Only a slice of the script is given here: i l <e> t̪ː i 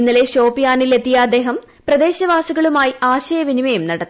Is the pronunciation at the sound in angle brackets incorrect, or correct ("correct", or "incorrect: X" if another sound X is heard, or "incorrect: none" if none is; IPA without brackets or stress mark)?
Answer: correct